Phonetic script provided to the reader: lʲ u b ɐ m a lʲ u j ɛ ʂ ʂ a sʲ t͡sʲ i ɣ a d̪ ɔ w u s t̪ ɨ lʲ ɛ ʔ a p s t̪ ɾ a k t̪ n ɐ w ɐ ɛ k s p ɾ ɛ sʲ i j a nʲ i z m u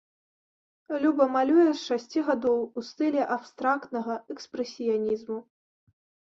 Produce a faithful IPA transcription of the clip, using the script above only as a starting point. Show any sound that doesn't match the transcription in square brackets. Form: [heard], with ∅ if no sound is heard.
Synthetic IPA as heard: lʲ u b ɐ m a lʲ u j ɛ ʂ ʂ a sʲ t͡sʲ i ɣ a d̪ ɔ w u s t̪ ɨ lʲ ɛ ʔ a p s t̪ ɾ a k t̪ n ɐ [ɣ] ɐ ɛ k s p ɾ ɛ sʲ i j a nʲ i z m u